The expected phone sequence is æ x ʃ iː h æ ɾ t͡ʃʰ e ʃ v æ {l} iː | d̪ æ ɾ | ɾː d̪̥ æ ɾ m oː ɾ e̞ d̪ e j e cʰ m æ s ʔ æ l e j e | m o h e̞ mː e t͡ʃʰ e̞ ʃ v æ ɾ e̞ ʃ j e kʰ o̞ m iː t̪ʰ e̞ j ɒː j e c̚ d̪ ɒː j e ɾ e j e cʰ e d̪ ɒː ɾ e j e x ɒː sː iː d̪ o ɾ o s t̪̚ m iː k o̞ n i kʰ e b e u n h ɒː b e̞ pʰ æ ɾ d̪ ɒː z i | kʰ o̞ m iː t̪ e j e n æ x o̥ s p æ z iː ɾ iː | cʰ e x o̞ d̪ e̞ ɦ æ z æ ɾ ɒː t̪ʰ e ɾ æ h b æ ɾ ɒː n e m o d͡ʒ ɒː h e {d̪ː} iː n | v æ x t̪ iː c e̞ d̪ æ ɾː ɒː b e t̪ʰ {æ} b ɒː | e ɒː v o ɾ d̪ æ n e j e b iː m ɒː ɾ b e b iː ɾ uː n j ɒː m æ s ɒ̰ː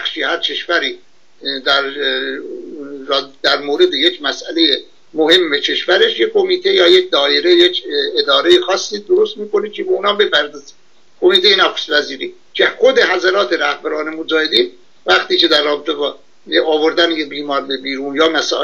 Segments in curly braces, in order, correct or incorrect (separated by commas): incorrect, incorrect, incorrect